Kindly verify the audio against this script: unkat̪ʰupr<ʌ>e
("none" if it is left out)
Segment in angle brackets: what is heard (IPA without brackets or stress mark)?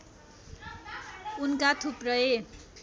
ʌ